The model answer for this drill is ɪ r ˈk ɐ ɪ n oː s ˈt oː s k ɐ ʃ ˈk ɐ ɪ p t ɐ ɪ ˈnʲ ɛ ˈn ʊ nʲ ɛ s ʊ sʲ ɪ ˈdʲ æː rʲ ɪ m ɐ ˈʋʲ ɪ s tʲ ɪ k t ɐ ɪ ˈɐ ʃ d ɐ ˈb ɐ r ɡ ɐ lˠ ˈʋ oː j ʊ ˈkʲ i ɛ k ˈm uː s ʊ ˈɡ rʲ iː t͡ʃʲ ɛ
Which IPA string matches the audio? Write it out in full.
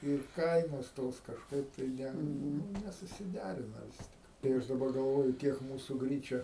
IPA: ɪ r ˈk ɐ ɪ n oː s ˈt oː s k ɐ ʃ ˈk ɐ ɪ p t ɐ ɪ ˈnʲ ɛ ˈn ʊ nʲ ɛ s ʊ sʲ ɪ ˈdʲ æː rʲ ɪ n ɐ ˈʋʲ ɪ s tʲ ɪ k t ɐ ɪ ˈɐ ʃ d ɐ ˈb ɐ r ɡ ɐ lˠ ˈʋ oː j ʊ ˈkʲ i ɛ k ˈm uː s ʊ ˈɡ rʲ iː t͡ʃʲ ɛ